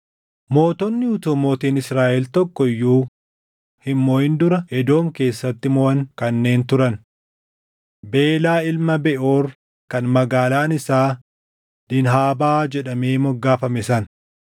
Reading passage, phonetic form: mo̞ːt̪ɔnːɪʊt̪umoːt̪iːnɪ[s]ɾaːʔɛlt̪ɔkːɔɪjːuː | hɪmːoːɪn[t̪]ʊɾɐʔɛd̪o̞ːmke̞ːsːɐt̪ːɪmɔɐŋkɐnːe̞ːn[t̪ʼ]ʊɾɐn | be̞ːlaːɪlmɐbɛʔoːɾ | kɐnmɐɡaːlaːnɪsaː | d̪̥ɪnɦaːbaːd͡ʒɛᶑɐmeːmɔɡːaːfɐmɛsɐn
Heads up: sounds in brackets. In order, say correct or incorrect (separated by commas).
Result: correct, incorrect, incorrect